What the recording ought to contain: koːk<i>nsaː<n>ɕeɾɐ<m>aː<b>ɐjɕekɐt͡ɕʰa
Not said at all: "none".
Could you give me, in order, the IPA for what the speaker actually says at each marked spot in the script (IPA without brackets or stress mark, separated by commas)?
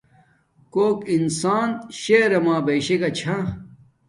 i, n, m, b